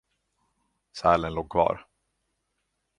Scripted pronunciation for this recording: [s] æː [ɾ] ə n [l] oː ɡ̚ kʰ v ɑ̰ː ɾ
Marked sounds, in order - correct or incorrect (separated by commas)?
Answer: correct, incorrect, correct